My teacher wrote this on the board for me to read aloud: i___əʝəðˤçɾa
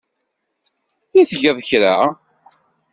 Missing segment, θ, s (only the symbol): θ